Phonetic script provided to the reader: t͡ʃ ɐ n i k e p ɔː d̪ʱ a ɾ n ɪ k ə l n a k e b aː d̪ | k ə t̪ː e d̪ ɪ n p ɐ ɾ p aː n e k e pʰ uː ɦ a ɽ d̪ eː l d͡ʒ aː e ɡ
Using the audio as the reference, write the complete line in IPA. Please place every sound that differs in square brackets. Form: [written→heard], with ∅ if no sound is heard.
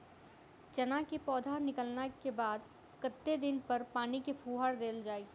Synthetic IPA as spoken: t͡ʃ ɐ n [i→a] k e p ɔː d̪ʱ a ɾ n ɪ k ə l n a k e b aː d̪ | k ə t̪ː e d̪ ɪ n p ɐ ɾ p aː n [e→i] k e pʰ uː ɦ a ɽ d̪ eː l d͡ʒ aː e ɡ